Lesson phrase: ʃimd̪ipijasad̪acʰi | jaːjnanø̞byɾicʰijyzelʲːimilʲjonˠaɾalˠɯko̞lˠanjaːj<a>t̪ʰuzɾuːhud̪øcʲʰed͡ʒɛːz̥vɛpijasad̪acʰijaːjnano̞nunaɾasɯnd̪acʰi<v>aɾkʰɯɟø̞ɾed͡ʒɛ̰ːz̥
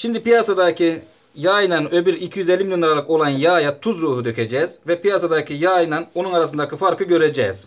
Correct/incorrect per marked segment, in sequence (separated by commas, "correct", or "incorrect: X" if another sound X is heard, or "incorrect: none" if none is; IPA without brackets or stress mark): correct, incorrect: f